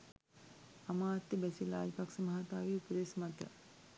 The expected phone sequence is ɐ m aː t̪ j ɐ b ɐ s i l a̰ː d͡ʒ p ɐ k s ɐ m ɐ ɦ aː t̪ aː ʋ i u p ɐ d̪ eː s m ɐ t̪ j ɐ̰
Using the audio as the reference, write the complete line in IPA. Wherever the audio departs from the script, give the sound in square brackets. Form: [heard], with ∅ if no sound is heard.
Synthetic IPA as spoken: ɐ m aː t̪ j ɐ b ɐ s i l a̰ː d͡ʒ p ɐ k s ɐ m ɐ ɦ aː t̪ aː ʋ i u p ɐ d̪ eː s m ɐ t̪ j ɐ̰